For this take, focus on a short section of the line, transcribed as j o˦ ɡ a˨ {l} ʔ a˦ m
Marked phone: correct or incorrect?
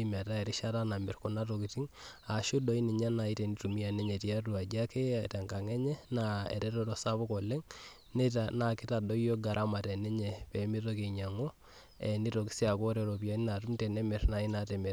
incorrect: ɾ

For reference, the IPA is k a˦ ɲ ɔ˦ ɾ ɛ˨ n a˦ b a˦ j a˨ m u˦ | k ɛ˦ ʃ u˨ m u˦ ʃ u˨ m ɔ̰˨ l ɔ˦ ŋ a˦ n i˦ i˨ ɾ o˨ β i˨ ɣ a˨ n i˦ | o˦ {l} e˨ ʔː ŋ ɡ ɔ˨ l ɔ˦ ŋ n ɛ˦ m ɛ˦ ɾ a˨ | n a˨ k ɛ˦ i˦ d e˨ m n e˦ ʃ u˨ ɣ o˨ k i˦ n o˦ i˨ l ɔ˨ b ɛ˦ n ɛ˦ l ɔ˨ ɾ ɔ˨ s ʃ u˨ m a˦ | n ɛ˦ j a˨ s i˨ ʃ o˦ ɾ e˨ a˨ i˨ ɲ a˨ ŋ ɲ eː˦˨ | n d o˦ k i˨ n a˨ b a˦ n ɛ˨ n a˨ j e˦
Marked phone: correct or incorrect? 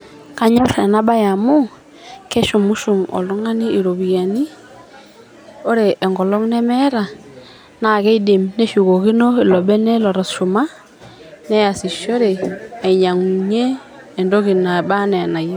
incorrect: ɾ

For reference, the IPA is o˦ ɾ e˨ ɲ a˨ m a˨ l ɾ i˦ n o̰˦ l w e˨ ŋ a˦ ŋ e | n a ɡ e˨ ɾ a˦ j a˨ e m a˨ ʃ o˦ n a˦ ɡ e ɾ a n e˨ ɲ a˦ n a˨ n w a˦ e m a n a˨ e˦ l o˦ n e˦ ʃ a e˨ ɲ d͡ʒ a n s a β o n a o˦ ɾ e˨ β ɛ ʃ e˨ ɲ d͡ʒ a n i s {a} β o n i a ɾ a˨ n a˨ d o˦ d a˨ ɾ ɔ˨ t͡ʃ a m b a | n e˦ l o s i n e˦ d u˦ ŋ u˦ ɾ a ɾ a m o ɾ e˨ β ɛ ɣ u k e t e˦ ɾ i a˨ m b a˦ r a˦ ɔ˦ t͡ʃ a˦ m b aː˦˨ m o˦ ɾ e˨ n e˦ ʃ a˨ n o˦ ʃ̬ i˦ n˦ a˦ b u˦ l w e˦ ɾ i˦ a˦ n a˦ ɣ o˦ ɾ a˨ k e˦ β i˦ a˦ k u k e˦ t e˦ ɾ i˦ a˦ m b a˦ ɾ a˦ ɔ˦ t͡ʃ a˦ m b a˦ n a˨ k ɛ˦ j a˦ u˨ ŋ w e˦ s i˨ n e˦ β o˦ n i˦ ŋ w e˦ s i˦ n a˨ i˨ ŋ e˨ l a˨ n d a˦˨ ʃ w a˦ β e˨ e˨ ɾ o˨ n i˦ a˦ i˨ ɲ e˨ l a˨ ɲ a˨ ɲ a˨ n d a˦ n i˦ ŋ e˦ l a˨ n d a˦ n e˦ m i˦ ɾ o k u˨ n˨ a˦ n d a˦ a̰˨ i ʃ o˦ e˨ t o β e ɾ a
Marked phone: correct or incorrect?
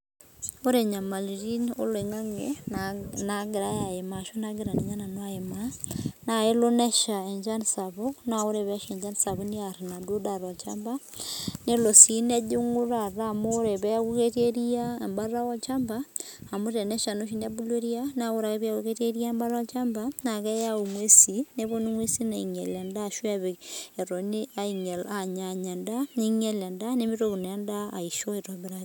correct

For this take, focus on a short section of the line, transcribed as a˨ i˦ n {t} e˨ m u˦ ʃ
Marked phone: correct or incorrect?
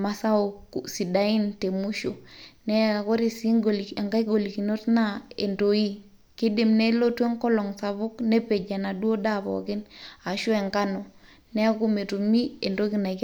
correct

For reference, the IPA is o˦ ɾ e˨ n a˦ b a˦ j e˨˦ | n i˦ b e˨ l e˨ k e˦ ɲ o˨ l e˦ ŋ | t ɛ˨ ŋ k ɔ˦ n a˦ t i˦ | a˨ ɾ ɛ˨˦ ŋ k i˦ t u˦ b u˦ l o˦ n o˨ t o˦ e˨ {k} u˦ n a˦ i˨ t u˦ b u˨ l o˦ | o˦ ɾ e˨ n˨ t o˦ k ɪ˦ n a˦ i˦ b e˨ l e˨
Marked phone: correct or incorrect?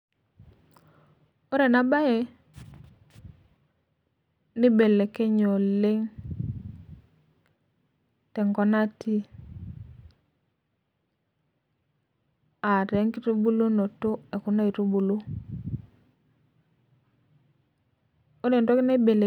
correct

